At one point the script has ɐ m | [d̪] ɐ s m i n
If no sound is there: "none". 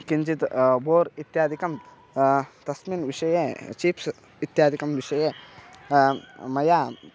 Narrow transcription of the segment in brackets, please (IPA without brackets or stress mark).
t̪